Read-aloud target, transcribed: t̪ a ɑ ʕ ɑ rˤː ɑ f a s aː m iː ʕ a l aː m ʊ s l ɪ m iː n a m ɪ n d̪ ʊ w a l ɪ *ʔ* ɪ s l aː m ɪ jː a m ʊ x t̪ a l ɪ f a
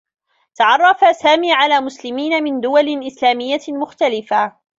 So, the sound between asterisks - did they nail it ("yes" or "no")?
yes